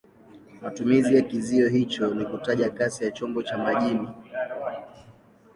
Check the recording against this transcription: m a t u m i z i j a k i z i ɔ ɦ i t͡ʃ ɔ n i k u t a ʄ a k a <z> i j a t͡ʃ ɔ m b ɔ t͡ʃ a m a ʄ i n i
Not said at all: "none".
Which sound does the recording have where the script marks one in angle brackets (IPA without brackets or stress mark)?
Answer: s